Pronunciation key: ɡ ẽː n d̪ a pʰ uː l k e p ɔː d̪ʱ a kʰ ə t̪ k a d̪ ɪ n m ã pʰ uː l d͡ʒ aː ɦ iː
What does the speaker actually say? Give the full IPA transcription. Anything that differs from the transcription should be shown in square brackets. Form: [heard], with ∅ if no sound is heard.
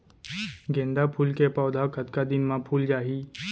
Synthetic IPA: ɡ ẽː n d̪ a pʰ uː l k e p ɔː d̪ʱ a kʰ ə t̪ k a d̪ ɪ n m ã pʰ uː l d͡ʒ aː ɦ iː